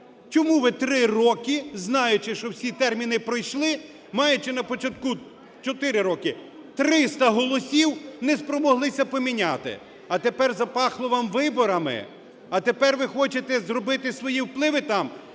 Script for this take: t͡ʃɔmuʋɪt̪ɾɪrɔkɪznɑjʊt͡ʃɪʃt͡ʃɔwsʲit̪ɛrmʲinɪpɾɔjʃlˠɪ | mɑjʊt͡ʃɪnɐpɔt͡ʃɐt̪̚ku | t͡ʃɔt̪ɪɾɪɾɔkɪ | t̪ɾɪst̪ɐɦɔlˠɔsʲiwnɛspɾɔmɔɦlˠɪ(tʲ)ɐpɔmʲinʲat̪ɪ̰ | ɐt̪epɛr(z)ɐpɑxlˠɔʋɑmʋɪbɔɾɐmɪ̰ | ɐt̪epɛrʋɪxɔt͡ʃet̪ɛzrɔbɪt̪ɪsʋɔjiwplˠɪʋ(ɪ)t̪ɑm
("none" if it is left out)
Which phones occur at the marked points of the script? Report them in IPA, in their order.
sʲ, z, ɪ

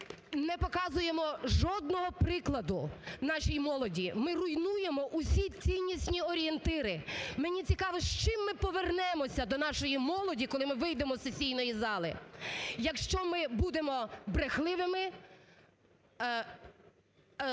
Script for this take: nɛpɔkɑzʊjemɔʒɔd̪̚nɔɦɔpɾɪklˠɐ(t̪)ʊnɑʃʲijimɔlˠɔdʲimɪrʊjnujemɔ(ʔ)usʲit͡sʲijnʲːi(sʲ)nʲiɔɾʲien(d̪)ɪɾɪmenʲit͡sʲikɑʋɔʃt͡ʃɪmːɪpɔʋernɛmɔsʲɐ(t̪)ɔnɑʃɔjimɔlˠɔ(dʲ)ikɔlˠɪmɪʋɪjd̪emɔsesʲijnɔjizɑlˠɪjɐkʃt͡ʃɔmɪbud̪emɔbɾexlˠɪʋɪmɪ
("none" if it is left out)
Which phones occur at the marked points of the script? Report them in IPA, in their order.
d̪, ʔ, sʲ, t̪, d̪, dʲ

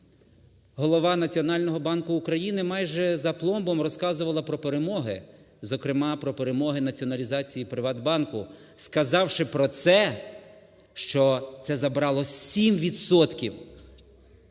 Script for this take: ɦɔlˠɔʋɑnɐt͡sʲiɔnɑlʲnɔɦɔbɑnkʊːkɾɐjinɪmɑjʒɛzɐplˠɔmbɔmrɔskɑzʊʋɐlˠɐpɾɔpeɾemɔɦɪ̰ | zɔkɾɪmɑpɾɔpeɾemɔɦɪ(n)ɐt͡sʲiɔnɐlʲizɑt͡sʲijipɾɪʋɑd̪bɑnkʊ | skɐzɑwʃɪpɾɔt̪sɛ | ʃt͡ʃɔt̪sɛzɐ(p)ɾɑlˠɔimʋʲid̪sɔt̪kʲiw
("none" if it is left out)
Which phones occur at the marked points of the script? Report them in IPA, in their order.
n, b

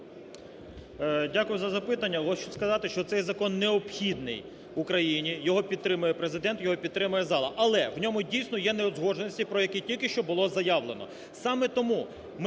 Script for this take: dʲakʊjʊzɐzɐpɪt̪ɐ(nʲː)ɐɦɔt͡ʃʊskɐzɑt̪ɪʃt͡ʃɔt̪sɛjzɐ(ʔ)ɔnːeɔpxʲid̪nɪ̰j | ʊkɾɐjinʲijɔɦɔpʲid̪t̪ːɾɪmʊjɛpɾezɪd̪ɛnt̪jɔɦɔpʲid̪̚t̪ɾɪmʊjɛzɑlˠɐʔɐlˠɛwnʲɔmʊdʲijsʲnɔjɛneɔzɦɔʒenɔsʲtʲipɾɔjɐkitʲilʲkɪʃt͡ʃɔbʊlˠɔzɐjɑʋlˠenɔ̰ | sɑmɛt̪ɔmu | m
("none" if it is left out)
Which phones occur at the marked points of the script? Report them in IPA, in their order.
nʲː, k

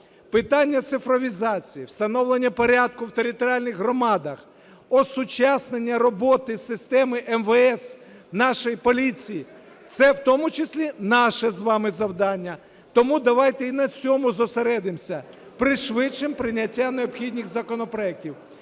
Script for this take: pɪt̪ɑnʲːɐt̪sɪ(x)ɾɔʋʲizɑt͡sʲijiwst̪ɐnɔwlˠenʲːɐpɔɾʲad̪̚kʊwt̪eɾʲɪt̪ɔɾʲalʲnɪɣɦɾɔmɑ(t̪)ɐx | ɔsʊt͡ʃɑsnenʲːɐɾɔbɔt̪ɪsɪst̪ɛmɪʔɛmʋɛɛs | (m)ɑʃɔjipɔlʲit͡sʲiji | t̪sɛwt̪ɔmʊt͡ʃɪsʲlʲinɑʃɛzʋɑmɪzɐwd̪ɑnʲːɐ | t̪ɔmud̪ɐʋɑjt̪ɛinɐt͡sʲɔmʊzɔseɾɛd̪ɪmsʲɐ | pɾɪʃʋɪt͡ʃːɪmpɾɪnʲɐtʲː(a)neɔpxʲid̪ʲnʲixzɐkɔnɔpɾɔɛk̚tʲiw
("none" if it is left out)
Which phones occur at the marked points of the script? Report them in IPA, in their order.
f, d̪, n, a

